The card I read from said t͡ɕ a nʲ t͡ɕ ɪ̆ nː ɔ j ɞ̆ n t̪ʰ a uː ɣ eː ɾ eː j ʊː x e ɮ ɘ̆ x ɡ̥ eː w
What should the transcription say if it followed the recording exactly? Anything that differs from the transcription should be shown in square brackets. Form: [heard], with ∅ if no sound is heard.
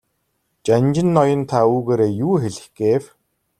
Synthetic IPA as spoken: t͡ɕ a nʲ t͡ɕ ɪ̆ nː ɔ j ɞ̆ n t̪ʰ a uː ɣ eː ɾ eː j [uː] x e ɮ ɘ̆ x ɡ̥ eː w